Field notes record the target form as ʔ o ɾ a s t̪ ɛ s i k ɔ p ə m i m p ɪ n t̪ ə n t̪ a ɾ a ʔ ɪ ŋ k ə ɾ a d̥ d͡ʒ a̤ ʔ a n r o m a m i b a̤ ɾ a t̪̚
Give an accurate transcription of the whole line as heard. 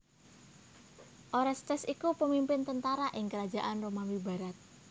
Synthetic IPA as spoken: ʔ o ɾ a s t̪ ɛ s i k u p ə m i m p ɪ n t̪ ə n t̪ a ɾ a ʔ ɪ ŋ k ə ɾ a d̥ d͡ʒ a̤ ʔ a n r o m a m i b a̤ ɾ a t̪̚